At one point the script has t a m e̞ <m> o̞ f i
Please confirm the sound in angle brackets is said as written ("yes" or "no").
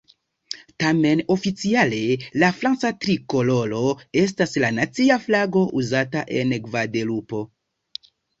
no